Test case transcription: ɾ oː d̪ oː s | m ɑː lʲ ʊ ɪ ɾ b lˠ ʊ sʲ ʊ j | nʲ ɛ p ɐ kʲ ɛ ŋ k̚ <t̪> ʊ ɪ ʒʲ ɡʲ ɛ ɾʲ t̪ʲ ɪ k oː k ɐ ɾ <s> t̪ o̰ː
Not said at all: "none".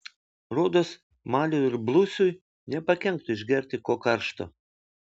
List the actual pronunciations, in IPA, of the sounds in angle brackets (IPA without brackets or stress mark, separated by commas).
t̪, ʃ